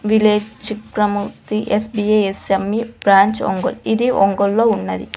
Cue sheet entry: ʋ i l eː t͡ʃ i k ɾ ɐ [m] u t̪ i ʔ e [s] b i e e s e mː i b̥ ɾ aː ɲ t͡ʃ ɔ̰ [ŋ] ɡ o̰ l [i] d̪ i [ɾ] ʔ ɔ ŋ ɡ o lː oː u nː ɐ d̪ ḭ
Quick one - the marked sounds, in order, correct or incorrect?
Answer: correct, correct, correct, correct, incorrect

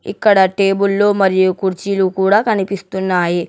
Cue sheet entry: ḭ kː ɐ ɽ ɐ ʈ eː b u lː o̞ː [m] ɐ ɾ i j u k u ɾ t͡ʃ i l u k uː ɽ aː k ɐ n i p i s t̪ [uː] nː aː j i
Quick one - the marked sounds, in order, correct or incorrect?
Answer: correct, incorrect

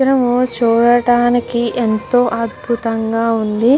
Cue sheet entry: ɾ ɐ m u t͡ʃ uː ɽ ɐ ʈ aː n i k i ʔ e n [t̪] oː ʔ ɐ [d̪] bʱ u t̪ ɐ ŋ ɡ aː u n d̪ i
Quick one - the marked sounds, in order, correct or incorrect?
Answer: correct, correct

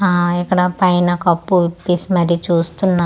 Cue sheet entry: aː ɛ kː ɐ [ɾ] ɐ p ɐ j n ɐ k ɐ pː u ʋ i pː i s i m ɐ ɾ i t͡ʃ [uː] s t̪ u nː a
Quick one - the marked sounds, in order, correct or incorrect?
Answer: incorrect, correct

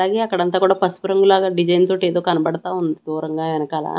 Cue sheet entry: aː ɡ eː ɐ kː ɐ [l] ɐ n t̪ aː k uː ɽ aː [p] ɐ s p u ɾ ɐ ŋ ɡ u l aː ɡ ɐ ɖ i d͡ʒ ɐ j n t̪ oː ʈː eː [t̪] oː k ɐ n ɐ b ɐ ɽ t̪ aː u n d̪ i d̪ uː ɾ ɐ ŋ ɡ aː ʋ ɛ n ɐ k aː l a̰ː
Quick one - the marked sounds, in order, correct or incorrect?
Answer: incorrect, correct, incorrect

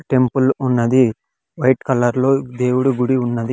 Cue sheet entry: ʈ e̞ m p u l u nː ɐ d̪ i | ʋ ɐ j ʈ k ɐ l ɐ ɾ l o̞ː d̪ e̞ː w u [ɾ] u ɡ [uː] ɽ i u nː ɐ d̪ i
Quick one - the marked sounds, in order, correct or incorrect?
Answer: incorrect, incorrect

